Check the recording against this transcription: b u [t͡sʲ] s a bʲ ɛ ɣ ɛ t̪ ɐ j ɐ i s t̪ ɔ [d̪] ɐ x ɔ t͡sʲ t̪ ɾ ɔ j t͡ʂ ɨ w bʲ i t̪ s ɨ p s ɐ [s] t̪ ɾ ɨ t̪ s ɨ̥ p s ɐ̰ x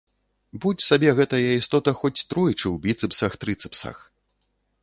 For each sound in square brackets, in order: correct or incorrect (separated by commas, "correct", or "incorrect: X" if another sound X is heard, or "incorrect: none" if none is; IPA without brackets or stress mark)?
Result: correct, incorrect: t̪, incorrect: x